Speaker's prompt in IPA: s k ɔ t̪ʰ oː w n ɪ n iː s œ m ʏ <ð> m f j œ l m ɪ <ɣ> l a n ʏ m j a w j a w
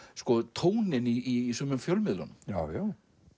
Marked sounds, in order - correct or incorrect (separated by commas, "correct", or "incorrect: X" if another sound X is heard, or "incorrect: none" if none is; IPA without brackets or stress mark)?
incorrect: none, incorrect: ð